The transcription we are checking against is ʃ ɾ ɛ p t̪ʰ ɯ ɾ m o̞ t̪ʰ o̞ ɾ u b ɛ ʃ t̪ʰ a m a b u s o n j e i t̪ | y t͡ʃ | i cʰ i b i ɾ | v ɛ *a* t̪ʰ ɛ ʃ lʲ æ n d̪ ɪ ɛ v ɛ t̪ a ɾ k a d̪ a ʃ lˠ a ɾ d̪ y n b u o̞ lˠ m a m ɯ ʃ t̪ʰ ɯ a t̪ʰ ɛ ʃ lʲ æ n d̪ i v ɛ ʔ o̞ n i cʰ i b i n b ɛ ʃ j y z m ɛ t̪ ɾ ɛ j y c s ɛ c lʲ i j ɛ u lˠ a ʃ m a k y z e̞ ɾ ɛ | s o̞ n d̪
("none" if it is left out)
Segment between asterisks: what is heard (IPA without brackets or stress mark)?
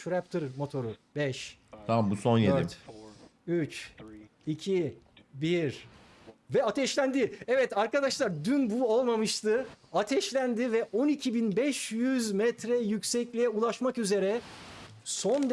a